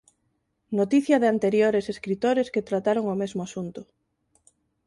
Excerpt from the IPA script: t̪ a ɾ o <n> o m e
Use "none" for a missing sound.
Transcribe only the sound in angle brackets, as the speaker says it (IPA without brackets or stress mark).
ŋ